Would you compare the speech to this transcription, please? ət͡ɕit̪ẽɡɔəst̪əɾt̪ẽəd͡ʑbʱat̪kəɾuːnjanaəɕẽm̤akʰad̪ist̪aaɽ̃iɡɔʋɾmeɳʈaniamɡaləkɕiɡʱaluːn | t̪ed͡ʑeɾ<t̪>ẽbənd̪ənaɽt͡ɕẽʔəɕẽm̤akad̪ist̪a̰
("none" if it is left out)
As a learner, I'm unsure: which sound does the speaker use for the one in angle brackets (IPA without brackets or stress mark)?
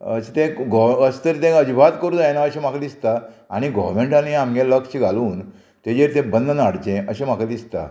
t̪